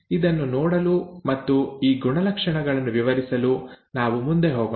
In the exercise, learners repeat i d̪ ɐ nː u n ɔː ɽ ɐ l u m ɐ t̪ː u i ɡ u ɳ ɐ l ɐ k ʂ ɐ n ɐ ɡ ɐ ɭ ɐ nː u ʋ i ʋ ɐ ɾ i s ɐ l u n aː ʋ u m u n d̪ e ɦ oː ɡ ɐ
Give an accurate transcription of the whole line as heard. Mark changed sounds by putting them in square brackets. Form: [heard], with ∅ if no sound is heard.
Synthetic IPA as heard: i d̪ ɐ nː u n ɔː ɽ ɐ l u m ɐ t̪ː u [iː] ɡ u ɳ ɐ l ɐ k ʂ ɐ [ɳ] ɐ ɡ ɐ ɭ ɐ nː u ʋ i ʋ ɐ ɾ i s ɐ l u n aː ʋ u m u n d̪ e ɦ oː ɡ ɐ

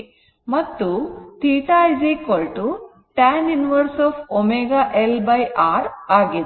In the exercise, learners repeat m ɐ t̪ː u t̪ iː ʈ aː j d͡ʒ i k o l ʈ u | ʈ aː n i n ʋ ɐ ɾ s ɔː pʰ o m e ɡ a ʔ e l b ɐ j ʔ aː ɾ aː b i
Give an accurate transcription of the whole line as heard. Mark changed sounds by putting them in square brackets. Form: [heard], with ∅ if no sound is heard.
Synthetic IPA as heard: m ɐ t̪ː u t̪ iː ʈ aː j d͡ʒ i k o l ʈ u | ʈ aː n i n ʋ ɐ ɾ s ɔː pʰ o m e ɡ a ʔ e l b ɐ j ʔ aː ɾ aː [ɡ] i

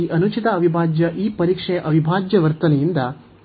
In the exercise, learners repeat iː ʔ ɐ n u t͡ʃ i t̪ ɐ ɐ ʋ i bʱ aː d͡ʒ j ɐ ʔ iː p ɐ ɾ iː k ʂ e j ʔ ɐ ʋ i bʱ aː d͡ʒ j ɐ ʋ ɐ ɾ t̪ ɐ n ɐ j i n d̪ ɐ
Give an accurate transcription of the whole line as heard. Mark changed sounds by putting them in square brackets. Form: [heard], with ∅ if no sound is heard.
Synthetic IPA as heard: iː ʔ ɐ n u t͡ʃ i t̪ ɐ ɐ ʋ i bʱ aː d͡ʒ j ɐ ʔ iː p ɐ ɾ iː k ʂ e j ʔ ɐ ʋ i bʱ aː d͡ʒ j ɐ ʋ ɐ ɾ t̪ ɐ n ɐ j i n d̪ ɐ

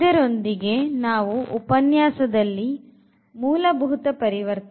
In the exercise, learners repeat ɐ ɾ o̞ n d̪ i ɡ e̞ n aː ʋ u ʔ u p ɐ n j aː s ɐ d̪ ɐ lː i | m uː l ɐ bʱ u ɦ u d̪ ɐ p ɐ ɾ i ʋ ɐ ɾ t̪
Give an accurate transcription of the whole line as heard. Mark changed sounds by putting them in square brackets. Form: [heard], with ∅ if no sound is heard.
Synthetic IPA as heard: ɐ ɾ o̞ n d̪ i ɡ e̞ n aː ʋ u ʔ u p ɐ n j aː s ɐ d̪ ɐ lː i | m uː l ɐ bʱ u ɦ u [t̪] ɐ p ɐ ɾ i ʋ ɐ ɾ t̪

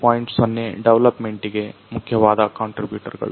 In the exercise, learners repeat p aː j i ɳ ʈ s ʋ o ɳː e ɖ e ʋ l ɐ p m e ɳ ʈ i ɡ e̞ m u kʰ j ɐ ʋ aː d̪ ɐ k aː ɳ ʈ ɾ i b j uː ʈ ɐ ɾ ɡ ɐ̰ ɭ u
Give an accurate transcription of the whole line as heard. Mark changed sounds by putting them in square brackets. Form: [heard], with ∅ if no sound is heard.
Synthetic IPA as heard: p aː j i ɳ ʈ s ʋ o [nː] e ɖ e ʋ l ɐ p m e ɳ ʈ i ɡ e̞ m u kʰ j ɐ ʋ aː d̪ ɐ k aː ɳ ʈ ɾ i b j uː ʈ ɐ ɾ ɡ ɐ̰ ɭ u

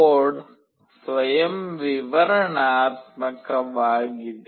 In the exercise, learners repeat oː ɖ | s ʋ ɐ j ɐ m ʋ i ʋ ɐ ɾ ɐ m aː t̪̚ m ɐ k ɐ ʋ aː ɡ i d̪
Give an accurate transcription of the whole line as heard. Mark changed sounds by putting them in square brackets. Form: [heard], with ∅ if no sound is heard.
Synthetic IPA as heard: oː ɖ | s ʋ ɐ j ɐ m ʋ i ʋ ɐ ɾ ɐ [ɳ] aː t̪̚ m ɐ k ɐ ʋ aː ɡ i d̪

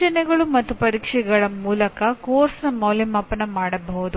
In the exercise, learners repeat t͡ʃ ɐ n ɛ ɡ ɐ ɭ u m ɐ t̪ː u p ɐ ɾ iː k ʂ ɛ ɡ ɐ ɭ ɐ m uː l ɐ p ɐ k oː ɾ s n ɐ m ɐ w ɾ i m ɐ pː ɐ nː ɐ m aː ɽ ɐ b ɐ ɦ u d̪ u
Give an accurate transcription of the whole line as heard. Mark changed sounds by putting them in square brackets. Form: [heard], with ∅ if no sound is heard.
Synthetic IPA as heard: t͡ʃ ɐ n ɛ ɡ ɐ ɭ u m ɐ t̪ː u p ɐ ɾ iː k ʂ ɛ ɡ ɐ ɭ ɐ m uː l ɐ [k] ɐ k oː ɾ s n ɐ m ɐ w [l] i m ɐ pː ɐ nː ɐ m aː ɽ ɐ b ɐ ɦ u d̪ u

